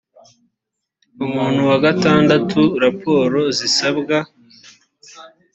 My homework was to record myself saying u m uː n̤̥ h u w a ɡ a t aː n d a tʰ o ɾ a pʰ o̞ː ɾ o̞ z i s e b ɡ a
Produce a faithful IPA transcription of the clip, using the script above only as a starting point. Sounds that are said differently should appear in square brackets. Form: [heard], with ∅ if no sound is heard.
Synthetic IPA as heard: u m uː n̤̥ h u w a ɡ a t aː n d a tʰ [u] ɾ a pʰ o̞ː ɾ o̞ z i s [a] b ɡ a